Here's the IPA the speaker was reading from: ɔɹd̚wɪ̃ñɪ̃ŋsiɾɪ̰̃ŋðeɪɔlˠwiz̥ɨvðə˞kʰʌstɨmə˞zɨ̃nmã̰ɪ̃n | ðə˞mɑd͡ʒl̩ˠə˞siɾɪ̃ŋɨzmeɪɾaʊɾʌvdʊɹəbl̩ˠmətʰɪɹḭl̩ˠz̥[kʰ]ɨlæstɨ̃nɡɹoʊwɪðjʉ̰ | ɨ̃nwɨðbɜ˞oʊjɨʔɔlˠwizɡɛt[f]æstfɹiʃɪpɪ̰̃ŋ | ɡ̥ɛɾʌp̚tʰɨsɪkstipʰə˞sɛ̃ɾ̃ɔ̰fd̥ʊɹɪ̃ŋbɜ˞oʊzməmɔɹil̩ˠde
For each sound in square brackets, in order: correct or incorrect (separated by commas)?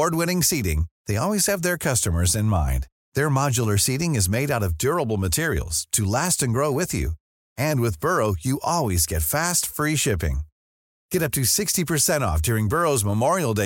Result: incorrect, correct